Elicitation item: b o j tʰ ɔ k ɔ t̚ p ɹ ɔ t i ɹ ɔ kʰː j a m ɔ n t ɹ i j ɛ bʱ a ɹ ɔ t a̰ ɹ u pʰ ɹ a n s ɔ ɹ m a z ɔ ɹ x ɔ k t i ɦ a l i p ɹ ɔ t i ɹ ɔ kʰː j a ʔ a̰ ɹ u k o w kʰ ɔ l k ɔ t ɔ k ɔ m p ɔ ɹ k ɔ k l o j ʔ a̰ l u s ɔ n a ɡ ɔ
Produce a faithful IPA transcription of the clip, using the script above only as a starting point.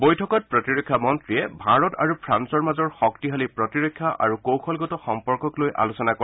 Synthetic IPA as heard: b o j tʰ ɔ k ɔ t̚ p ɹ ɔ t i ɹ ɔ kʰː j a m ɔ n t ɹ i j ɛ bʱ a ɹ ɔ t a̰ ɹ u pʰ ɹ a n s ɔ ɹ m a z ɔ ɹ x ɔ k t i ɦ a l i p ɹ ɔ t i ɹ ɔ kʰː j a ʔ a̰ ɹ u k o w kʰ ɔ l ɡ ɔ t ɔ x ɔ m p ɔ ɹ k ɔ k l o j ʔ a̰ l u s ɔ n a k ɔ